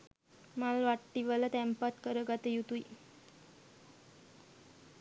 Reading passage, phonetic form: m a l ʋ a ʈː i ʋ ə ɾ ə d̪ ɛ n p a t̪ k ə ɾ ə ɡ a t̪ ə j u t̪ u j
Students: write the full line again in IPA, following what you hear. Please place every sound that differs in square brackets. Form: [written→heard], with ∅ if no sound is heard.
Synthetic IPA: m a l ʋ a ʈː i ʋ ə [ɾ→l] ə [d̪→t̪] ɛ [n→m] p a t̪ k ə ɾ ə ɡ a t̪ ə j u t̪ u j